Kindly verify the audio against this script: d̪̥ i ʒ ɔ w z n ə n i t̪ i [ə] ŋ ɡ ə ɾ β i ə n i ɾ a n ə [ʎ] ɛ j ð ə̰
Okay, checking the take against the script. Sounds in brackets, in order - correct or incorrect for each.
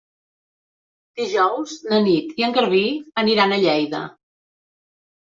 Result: correct, correct

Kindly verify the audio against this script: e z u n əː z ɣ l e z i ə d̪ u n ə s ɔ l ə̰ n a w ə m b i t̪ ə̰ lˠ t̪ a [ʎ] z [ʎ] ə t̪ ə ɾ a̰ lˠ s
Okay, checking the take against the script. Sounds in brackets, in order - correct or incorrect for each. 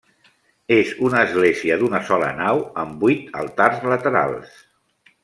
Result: incorrect: r, incorrect: l

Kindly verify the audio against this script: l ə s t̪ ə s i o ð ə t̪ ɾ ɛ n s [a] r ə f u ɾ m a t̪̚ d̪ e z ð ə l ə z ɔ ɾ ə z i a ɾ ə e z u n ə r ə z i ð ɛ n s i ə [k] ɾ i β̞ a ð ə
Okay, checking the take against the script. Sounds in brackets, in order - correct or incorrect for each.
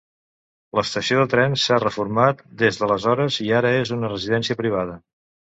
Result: correct, incorrect: p

